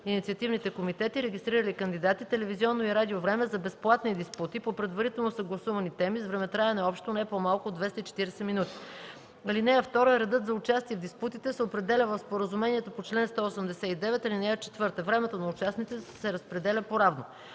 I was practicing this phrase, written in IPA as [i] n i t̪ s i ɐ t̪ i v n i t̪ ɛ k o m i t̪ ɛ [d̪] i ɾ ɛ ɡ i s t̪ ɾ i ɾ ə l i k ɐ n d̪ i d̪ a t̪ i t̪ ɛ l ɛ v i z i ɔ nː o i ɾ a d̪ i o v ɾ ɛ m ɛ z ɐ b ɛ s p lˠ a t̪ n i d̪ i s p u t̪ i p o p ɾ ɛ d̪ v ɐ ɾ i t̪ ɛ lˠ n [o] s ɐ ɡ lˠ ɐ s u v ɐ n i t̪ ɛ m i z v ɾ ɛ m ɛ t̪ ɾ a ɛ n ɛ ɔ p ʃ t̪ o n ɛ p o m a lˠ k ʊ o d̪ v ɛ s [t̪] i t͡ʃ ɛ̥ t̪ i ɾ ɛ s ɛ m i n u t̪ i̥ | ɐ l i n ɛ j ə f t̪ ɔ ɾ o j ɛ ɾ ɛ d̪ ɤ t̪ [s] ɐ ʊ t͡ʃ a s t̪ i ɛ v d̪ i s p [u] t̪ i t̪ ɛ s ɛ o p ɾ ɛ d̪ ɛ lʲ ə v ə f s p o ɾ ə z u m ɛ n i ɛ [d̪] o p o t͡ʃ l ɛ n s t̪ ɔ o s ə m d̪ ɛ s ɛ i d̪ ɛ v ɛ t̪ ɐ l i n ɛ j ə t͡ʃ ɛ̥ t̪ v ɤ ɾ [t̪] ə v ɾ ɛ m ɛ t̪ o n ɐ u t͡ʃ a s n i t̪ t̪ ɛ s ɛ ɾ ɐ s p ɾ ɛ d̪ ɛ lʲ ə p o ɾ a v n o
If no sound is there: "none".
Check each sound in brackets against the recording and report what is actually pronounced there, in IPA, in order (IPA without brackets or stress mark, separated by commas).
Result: i, t̪, o, t̪, z, u, t̪, t̪